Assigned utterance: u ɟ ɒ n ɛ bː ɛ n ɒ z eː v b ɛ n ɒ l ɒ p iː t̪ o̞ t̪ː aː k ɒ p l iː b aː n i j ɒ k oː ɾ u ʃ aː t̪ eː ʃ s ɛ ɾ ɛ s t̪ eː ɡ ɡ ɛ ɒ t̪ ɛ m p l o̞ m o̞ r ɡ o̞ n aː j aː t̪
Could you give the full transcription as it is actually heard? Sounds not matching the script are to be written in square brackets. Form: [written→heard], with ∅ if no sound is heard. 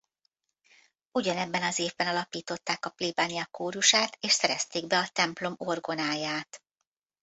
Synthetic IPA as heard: u ɟ ɒ n ɛ bː ɛ n ɒ z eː v b ɛ n ɒ l ɒ p iː t̪ o̞ t̪ː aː k ɒ p l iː b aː n i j ɒ k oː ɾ u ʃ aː t̪ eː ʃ s ɛ ɾ ɛ s t̪ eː ɡ [ɡ→b] ɛ ɒ t̪ ɛ m p l o̞ m o̞ r ɡ o̞ n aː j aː t̪

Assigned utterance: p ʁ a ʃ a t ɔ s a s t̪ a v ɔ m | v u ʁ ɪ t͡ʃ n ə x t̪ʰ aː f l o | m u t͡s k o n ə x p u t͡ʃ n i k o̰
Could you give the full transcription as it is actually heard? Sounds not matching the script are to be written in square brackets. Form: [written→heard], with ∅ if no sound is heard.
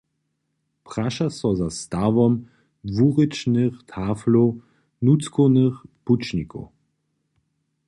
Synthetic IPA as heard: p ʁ a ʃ a [t→s] ɔ [s→z] a s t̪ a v ɔ m | v u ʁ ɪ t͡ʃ n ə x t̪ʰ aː f l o | [m→n] u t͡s k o n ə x p u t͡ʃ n i k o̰

